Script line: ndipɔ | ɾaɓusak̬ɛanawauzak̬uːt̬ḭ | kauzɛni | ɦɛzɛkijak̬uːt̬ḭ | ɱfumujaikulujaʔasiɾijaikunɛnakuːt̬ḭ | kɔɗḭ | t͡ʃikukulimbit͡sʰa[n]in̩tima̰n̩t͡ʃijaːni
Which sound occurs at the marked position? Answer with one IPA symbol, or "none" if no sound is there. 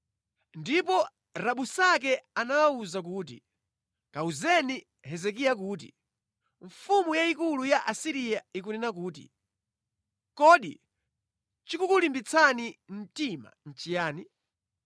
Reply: n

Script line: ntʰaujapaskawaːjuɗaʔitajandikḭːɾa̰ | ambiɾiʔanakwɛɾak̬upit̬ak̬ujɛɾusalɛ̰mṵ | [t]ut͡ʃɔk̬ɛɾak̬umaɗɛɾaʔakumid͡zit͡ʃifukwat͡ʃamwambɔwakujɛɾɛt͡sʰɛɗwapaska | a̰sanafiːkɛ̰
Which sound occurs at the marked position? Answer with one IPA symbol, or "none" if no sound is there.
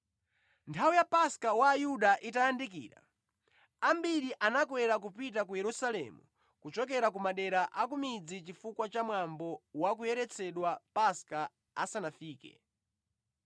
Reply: k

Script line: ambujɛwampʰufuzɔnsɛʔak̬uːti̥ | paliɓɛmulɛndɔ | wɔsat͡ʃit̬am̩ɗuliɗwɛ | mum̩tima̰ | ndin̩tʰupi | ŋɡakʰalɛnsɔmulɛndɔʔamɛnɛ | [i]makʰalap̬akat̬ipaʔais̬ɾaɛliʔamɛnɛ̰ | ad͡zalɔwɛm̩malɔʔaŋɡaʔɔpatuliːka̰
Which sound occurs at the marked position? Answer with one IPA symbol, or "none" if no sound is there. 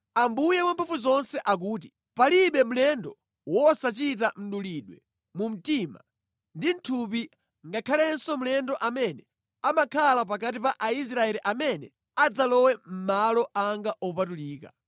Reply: a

